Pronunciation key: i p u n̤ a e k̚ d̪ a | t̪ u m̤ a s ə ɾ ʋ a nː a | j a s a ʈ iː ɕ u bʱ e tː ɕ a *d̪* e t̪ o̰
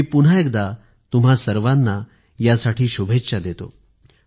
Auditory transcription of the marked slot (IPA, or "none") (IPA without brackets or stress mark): d̪